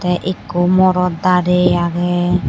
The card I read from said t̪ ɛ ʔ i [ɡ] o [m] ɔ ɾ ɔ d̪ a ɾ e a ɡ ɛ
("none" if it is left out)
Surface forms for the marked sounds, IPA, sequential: k, m

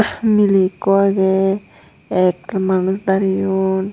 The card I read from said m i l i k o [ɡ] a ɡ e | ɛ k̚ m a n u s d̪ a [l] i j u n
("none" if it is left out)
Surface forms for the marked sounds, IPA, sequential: none, ɾ

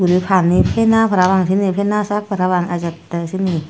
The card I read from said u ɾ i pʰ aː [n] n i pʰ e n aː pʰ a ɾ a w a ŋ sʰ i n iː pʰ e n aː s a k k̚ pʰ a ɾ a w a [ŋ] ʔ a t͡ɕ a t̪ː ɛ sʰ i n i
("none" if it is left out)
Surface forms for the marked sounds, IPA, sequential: n, ŋ

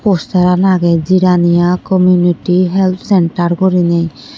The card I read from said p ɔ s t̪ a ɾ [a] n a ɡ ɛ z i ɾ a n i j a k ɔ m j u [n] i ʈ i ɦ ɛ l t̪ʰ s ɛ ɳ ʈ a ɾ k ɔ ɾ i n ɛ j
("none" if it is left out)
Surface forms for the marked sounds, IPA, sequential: a, n

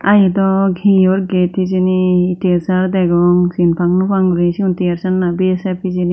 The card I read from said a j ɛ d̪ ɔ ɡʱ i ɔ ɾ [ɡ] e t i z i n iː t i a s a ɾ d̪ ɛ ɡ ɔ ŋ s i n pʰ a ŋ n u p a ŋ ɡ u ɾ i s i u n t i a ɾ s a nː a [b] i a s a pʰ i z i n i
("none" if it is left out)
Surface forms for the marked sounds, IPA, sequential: ɡ, b

